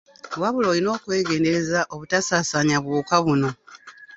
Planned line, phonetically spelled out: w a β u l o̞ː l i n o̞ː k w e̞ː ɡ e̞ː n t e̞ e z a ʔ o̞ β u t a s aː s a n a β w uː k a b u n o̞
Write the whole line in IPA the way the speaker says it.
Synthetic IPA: w a β u l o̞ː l i n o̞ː k w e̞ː ɡ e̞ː n d e̞ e z a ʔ o̞ β u t a s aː s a ɲ a β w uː k a β u n o̞